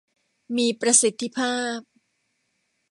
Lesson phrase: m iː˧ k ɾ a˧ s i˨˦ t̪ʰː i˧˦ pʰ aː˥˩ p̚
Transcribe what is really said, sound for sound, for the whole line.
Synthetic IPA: m iː˧ p ɾ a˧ s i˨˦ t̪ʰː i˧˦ pʰ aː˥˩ p̚